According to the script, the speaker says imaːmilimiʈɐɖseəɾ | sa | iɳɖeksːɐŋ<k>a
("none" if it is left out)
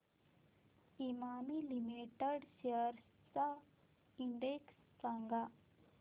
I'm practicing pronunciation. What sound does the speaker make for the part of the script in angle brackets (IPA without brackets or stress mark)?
ɡ